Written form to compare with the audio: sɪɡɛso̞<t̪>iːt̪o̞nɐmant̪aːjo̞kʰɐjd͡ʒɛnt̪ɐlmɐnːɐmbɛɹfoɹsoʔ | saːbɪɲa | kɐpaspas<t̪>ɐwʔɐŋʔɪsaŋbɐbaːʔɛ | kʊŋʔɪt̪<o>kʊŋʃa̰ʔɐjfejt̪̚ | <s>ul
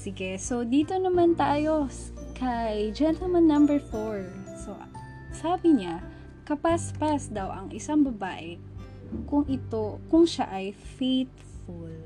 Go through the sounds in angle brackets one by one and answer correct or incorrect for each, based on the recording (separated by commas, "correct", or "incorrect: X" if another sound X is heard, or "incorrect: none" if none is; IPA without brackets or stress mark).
incorrect: d̪, incorrect: d̪, correct, incorrect: f